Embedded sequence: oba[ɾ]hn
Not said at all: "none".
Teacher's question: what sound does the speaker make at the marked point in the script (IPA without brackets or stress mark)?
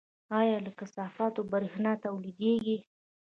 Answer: ɾ